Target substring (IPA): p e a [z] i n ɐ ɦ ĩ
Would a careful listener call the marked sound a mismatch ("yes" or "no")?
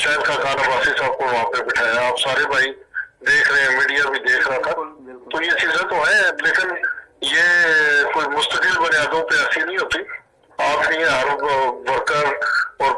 yes